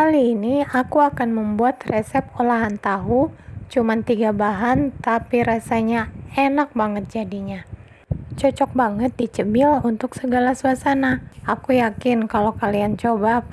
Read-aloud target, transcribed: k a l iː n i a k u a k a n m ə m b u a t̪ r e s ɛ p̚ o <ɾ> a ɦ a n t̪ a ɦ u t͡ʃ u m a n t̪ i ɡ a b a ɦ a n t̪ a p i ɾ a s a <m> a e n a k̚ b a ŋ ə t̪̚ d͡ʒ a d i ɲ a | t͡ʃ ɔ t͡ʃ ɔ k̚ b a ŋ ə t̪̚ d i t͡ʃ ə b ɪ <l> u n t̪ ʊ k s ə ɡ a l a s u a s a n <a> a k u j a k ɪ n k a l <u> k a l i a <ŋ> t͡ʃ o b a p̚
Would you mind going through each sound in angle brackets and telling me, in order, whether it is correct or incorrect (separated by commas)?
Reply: incorrect, incorrect, correct, correct, incorrect, incorrect